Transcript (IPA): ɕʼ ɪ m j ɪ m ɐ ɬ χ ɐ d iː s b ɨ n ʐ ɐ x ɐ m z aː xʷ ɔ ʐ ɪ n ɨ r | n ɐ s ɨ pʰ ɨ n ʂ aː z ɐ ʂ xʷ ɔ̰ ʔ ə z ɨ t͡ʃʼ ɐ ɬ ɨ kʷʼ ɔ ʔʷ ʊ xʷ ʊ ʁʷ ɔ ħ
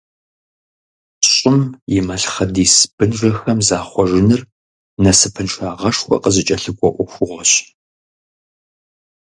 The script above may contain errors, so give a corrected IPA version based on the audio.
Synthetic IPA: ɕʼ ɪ m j ɪ m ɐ ɬ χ ɐ d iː s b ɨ n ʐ ɐ x ɐ m z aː χʷ ɔ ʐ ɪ n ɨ r | n ɐ s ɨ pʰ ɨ n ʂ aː ʁ ɐ ʂ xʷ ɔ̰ q ə z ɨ t͡ʃʼ ɐ ɬ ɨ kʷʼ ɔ ʔʷ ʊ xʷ ʊ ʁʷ ɔ ɕ